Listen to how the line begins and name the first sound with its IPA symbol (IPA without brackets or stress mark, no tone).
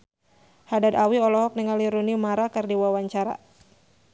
h